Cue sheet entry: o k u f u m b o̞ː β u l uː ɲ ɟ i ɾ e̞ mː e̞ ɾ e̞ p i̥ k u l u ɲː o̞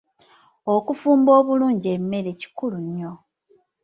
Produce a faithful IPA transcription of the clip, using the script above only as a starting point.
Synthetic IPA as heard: o k u f uː m b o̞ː β u l uː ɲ ɟ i e̞ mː e̞ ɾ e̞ c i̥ k u l u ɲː o̞

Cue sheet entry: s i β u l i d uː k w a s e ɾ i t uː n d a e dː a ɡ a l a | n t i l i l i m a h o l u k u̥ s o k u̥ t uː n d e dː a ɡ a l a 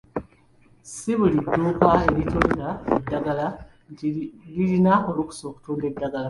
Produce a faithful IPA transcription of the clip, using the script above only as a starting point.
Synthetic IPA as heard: s i β u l i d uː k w a e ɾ i t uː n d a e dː a ɡ a l a | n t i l i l i n a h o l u k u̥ s o k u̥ t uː n d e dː a ɡ a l a

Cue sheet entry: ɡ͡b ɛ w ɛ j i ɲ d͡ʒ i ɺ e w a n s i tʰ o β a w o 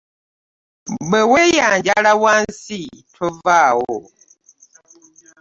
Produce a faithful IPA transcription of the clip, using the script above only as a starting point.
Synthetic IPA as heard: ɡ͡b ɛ w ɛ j a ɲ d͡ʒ a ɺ a w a n s i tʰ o v a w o

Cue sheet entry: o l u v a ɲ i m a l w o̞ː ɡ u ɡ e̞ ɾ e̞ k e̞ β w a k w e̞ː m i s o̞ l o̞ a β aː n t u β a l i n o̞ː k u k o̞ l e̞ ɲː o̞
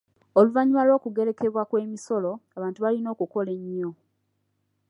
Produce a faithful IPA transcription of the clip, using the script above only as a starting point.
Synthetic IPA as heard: o l u v a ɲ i m a l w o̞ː k u ɡ e̞ ɾ e̞ k e̞ β w a k w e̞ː m i s o̞ l o̞ a β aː n t u β a l i n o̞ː k u k o̞ l e̞ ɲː o̞

